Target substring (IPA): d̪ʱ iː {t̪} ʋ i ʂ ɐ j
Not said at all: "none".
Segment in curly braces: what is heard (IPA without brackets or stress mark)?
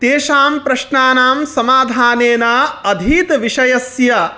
t̪